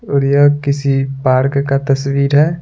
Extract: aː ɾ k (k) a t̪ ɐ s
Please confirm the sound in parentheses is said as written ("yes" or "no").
yes